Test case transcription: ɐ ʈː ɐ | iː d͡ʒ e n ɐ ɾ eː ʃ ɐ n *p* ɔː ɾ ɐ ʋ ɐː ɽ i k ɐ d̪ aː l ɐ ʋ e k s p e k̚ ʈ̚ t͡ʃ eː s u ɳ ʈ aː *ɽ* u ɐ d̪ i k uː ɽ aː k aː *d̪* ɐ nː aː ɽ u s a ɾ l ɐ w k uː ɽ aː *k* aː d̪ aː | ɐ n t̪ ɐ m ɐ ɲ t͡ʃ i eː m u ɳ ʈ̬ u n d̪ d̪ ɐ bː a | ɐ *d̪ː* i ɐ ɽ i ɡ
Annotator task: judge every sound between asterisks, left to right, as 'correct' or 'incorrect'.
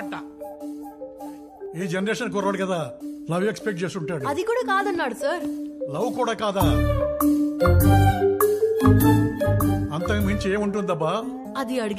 incorrect, correct, correct, correct, incorrect

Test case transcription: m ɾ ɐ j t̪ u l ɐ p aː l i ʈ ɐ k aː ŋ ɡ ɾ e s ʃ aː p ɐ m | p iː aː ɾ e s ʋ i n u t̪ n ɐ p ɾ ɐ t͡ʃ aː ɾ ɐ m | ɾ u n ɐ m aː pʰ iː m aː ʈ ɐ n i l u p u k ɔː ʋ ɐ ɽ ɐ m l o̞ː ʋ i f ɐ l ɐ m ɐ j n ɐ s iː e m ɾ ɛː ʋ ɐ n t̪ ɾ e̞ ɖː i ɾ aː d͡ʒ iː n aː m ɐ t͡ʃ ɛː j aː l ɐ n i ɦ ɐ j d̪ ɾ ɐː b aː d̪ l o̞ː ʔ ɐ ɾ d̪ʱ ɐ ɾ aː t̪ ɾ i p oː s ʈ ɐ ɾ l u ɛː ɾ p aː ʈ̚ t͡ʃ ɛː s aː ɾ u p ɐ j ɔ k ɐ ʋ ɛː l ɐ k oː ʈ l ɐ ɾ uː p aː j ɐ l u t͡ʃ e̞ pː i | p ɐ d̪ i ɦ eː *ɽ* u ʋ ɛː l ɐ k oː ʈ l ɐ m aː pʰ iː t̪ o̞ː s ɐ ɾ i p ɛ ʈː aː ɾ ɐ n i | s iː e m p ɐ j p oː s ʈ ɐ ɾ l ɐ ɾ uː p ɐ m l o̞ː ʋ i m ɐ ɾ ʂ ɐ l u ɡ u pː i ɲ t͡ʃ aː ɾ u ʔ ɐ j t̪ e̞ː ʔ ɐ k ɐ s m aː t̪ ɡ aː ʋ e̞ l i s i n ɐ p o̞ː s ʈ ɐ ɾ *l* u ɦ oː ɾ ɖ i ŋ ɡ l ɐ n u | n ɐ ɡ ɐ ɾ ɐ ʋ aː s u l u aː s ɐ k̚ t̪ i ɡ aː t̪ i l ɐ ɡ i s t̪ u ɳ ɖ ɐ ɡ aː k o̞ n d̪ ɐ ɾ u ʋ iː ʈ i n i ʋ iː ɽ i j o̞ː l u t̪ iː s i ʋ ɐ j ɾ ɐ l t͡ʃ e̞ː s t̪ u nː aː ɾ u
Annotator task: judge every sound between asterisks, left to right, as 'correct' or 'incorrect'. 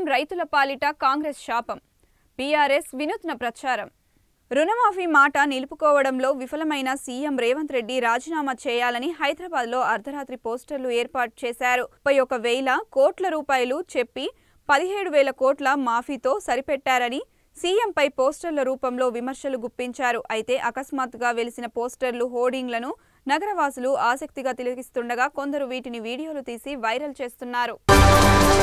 correct, correct

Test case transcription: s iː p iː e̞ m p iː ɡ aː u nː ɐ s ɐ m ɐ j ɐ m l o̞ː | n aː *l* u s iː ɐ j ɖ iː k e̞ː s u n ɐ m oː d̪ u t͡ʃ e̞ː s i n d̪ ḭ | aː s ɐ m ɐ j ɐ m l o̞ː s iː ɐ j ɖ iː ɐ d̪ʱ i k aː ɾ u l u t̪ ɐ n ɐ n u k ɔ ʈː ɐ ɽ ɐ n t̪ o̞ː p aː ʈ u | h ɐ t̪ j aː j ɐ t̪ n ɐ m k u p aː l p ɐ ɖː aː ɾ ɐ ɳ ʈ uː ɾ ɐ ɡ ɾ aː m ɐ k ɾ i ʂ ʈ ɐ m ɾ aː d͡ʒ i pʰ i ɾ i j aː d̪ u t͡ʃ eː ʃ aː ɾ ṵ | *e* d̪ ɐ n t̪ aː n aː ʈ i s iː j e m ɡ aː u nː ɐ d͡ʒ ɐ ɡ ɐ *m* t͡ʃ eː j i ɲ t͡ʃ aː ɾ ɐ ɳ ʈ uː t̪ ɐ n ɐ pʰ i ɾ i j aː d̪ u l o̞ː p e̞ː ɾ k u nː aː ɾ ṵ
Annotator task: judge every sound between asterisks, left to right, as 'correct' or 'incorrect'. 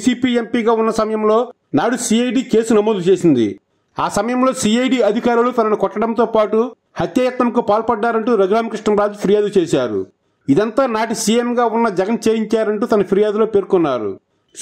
incorrect, incorrect, incorrect

